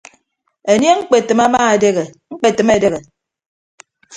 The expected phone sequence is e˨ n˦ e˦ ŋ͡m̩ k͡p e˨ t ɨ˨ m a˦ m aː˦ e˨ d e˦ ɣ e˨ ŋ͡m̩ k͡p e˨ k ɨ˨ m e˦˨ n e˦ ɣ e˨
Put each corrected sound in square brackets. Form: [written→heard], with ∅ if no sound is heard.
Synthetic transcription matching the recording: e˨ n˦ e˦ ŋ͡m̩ k͡p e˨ t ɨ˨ m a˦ m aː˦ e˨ d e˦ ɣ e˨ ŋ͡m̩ k͡p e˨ [k→t] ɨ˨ m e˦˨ [n→d] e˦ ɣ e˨